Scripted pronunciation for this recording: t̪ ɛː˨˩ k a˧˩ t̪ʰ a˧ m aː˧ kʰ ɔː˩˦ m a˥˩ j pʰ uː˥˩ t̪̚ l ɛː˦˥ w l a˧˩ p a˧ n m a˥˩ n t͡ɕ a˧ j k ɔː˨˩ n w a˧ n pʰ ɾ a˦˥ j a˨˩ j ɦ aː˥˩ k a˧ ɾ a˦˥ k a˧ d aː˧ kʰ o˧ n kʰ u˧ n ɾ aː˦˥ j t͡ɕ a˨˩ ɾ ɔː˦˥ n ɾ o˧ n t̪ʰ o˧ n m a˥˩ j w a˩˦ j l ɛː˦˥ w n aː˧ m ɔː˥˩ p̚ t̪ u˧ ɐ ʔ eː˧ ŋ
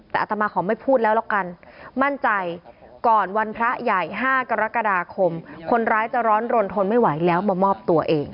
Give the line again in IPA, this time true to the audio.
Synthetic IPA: t̪ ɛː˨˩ ʔ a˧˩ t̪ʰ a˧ m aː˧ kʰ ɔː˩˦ m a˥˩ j pʰ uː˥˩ t̪̚ l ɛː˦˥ w l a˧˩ k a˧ n m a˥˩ n t͡ɕ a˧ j k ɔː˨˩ n w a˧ n pʰ ɾ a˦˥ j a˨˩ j ɦ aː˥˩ k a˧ ɾ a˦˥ k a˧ d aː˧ kʰ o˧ m kʰ o˧ n ɾ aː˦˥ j t͡ɕ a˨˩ ɾ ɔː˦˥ n ɾ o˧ n t̪ʰ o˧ n m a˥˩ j w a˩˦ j l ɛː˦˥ w m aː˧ m ɔː˥˩ p̚ t̪ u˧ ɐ ʔ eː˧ ŋ

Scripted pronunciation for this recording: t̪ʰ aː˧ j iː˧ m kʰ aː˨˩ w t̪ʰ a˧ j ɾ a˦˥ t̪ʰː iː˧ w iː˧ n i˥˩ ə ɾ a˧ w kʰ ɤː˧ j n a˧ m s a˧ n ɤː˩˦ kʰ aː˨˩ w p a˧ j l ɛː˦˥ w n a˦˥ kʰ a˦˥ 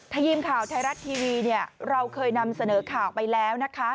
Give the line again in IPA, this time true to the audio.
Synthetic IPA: t̪ʰ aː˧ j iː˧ m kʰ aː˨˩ w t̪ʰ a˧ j ɾ a˦˥ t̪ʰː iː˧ w iː˧ n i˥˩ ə ɾ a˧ w kʰ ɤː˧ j n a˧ m s a˧ n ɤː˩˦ kʰ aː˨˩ w p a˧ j l ɛː˦˥ w n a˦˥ kʰ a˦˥

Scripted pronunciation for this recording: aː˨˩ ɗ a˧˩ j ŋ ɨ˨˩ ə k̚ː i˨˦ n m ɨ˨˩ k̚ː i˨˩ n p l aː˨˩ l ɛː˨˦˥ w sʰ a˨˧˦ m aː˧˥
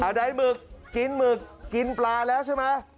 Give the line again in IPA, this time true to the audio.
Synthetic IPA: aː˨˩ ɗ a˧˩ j m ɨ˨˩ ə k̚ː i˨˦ n m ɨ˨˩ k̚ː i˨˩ n p l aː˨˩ l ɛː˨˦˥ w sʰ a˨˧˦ m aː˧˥

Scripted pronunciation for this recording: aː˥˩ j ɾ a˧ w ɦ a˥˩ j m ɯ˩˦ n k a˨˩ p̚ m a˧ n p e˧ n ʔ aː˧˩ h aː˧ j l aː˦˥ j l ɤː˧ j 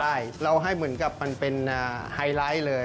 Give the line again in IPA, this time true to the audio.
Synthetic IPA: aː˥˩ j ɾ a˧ w ɦ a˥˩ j m ɯ˩˦ n k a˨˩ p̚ m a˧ n p e˧ n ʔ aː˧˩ h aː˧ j l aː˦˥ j l ɤː˧ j

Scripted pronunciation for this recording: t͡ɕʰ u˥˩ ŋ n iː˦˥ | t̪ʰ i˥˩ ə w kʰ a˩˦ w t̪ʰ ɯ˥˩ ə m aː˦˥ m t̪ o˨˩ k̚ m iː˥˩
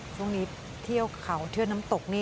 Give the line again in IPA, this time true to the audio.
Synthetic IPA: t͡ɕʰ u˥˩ ŋ n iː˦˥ | t̪ʰ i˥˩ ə w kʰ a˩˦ w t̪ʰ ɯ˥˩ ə n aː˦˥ m t̪ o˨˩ k̚ n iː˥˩

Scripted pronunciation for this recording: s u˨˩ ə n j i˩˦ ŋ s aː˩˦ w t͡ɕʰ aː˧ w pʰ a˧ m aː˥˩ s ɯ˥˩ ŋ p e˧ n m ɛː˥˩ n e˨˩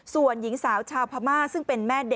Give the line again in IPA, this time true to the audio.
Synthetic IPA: s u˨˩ ə n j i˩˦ ŋ s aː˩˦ w t͡ɕʰ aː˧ w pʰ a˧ m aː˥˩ s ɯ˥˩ ŋ p e˧ n m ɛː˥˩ d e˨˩

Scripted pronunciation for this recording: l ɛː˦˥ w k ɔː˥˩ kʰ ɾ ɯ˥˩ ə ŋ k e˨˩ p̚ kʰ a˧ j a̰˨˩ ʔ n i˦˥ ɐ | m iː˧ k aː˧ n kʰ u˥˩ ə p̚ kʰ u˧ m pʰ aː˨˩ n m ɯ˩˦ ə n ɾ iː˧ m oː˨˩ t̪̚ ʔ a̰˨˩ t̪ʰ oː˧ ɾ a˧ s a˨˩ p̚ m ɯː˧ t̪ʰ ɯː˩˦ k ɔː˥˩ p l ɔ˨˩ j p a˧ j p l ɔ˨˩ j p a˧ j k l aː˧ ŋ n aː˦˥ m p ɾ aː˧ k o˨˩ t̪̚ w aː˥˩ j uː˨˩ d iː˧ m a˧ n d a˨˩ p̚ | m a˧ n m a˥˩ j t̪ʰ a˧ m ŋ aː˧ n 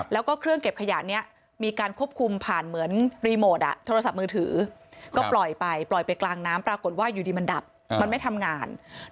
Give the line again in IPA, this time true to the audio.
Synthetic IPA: l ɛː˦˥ w k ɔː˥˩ kʰ ɾ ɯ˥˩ ə ŋ k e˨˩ p̚ kʰ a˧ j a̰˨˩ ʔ n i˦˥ ɐ | m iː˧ k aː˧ n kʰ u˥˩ ə p̚ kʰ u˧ m pʰ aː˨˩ n m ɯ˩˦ ə n ɾ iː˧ m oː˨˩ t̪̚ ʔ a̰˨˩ t̪ʰ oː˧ ɾ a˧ s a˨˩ p̚ m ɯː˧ t̪ʰ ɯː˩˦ k ɔː˥˩ p l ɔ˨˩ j p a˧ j p l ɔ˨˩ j p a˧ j k l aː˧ ŋ n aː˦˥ m p ɾ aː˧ k o˨˩ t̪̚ w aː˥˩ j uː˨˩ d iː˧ m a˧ n d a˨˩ p̚ | m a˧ n m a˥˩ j t̪ʰ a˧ m ŋ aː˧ n

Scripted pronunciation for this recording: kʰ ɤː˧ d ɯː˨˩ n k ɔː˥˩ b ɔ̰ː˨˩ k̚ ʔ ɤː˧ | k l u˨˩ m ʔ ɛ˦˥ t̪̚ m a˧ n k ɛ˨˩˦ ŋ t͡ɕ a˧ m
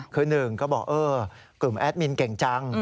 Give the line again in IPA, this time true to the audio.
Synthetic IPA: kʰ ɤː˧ n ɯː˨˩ ŋ k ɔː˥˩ b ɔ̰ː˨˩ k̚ ʔ ɤː˧ | k l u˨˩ m ʔ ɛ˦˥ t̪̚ m i˧ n k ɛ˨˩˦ ŋ t͡ɕ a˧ ŋ

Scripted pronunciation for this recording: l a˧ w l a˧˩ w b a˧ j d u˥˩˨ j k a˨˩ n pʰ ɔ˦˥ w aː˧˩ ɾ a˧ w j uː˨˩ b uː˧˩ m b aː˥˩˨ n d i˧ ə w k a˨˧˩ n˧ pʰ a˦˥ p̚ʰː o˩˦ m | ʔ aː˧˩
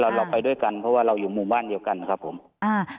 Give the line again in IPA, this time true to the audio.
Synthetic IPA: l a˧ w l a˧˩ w p a˧ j d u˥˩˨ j k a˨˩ n pʰ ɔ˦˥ w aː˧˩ ɾ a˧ w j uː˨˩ m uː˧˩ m b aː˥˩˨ n d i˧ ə w k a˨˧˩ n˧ kʰ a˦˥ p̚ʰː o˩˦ m | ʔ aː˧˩

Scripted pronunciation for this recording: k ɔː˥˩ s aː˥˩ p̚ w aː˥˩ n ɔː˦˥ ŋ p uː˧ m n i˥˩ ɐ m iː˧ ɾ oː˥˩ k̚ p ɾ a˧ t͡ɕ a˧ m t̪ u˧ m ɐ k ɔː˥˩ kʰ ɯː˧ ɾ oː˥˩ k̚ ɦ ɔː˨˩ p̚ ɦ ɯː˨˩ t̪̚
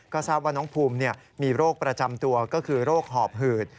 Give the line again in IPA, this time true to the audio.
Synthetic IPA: k ɔː˥˩ s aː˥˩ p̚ w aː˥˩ n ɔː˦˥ ŋ pʰ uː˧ m n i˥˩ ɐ m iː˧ ɾ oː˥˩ k̚ p ɾ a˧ t͡ɕ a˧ m t̪ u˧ ɐ k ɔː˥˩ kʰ ɯː˧ ɾ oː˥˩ k̚ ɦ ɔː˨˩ p̚ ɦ ɯː˨˩ t̪̚

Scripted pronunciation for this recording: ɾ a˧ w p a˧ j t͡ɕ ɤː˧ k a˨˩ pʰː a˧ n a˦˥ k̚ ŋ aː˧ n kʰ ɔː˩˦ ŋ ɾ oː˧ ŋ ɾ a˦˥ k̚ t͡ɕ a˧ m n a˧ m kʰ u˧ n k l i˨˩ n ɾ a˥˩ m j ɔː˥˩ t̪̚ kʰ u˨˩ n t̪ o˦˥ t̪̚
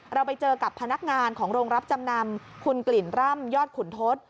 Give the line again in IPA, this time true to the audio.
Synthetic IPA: ɾ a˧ w p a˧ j t͡ɕ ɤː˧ k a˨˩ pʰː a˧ n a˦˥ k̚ ŋ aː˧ n kʰ ɔː˩˦ ŋ ɾ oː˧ ŋ ɾ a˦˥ p̚ t͡ɕ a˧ m n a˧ m kʰ u˧ n k l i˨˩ n ɾ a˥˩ m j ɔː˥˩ t̪̚ kʰ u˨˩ n t̪ʰ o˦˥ t̪̚

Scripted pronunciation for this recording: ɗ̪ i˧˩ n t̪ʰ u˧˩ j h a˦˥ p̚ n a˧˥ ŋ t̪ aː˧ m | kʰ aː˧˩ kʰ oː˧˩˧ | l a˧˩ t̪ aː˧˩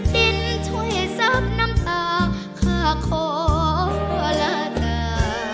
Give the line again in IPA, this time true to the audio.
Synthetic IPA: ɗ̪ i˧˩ n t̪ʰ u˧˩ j s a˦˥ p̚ n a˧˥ m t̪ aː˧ ŋ | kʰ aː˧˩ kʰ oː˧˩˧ | l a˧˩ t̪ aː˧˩

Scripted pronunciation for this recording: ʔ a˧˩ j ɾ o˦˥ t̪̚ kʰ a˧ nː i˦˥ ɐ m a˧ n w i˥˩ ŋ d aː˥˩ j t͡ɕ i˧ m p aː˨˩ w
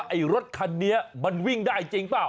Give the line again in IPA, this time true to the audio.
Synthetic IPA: ʔ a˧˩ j ɾ o˦˥ t̪̚ kʰ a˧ nː i˦˥ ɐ m a˧ n w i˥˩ ŋ d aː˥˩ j t͡ɕ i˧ ŋ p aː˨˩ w

